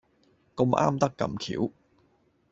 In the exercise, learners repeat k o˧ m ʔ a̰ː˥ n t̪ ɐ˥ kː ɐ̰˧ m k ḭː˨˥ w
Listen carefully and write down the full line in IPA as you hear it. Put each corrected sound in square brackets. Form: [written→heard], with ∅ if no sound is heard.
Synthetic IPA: k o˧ m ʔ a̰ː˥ [n→m] t̪ ɐ˥ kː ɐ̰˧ m [k→kʰ] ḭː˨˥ w